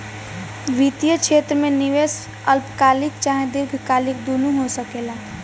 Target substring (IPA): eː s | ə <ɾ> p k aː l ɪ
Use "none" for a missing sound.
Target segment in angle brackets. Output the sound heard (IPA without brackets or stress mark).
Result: l